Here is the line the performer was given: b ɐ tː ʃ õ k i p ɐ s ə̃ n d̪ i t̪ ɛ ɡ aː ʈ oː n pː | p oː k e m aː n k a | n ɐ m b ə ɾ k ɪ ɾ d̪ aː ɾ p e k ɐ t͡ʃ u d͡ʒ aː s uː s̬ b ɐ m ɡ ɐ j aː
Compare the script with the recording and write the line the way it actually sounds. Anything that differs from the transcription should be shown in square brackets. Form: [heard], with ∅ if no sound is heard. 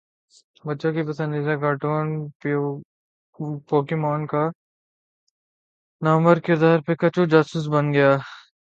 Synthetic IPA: b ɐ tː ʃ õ k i p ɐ s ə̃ n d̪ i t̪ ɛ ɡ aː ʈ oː n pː | p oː k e m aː n k a | n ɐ m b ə ɾ k ɪ ɾ d̪ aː ɾ p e k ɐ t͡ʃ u d͡ʒ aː s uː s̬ b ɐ [n] ɡ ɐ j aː